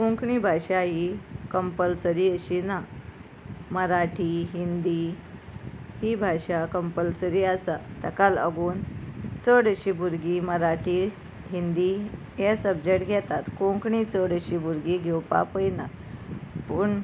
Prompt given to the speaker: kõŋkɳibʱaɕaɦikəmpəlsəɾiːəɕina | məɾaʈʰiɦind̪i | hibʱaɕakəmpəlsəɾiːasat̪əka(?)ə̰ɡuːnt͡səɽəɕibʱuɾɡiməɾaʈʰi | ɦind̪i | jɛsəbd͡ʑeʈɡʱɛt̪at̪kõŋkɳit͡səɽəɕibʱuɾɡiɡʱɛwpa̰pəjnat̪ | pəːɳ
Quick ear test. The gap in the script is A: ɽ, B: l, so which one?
B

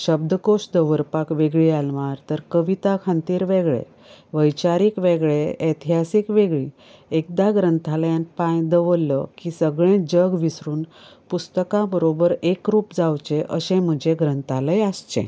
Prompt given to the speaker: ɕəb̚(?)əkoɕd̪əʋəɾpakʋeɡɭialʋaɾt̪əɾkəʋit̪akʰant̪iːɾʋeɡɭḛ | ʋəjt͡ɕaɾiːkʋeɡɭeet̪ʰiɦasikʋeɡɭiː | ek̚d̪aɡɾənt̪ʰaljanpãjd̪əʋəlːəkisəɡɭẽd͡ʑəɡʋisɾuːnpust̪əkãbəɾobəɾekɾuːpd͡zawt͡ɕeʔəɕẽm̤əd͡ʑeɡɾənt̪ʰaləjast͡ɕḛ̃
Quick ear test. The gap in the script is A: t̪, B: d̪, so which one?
B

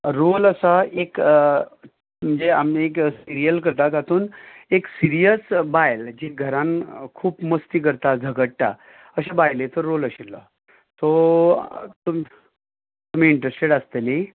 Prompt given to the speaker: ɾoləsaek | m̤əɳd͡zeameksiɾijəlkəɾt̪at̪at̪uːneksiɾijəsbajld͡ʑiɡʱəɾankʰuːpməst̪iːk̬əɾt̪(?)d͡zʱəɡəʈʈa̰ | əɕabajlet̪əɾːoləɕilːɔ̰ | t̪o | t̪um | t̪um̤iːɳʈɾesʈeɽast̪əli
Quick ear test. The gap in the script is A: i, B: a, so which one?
B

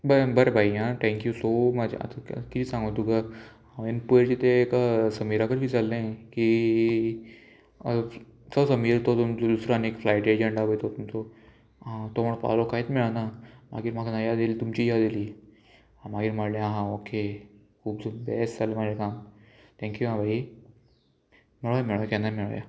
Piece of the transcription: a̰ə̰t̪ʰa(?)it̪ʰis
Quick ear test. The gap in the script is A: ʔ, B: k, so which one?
B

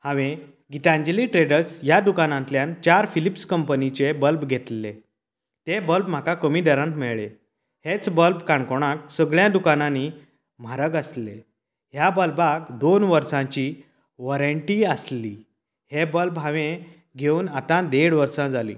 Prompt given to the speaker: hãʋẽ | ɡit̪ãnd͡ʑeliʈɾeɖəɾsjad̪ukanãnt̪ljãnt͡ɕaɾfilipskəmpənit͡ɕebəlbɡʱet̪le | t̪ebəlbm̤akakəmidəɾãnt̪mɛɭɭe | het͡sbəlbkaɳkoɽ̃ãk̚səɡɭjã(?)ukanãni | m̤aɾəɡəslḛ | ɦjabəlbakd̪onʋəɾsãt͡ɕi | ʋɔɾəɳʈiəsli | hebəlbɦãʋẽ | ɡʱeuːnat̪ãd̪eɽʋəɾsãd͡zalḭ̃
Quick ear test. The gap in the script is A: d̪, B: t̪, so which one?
A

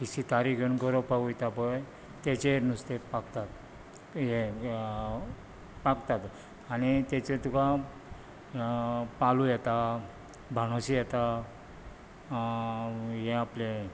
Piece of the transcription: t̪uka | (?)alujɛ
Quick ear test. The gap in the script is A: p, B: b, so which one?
A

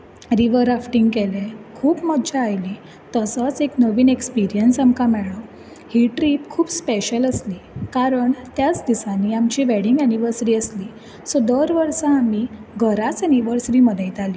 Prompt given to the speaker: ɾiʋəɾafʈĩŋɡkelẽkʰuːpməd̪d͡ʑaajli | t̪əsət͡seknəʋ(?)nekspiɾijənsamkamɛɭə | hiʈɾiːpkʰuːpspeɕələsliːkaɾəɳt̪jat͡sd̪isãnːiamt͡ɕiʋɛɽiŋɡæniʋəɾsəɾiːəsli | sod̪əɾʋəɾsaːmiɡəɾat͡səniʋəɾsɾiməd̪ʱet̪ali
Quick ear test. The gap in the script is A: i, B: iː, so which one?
B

